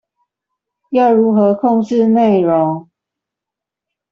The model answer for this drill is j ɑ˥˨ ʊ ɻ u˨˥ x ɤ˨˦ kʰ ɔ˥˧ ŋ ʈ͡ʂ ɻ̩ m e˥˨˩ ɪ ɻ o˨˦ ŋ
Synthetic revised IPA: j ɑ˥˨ ʊ ɻ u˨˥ x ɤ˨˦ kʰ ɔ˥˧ ŋ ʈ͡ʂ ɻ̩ n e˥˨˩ ɪ ɻ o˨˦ ŋ